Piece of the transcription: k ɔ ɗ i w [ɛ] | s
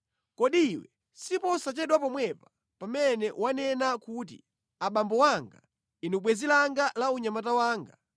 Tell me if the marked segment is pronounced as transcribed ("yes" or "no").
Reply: yes